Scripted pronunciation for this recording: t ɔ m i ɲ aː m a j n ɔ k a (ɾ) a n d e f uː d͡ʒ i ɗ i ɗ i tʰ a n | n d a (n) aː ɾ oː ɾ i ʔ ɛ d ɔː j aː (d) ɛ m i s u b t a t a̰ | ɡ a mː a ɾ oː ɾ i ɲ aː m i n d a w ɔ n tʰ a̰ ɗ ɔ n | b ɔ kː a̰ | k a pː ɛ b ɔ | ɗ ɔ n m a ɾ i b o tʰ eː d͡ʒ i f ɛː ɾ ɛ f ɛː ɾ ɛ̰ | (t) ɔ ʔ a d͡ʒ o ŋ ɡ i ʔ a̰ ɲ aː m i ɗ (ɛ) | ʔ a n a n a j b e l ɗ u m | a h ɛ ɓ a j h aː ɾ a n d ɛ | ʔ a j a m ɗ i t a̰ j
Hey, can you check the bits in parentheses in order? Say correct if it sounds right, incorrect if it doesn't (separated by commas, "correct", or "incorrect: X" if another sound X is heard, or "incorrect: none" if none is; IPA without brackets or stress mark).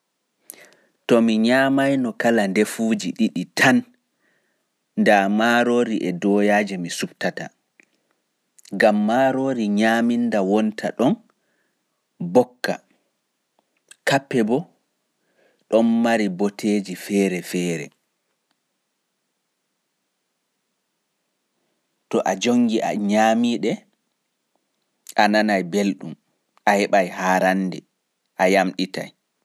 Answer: incorrect: l, incorrect: m, incorrect: d͡ʒ, correct, correct